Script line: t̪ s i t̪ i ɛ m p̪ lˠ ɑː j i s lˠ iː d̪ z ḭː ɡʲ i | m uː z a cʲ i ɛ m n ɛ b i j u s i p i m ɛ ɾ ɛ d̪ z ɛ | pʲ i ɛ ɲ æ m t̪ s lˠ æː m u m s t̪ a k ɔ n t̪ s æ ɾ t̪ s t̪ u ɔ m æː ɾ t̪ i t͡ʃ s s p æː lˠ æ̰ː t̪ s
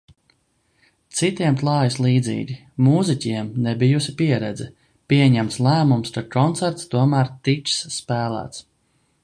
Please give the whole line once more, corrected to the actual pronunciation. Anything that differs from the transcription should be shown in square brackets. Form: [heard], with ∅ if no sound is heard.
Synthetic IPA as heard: t̪ s i t̪ i ɛ m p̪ lˠ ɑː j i s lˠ iː d̪ z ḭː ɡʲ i | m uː z [i] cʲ i ɛ m n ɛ b i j u s i p i [∅] ɛ ɾ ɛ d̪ z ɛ | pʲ i ɛ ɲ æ m t̪ s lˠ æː m u m s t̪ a k ɔ n t̪ s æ ɾ t̪ s t̪ u ɔ m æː ɾ t̪ i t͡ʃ s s p æː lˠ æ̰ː t̪ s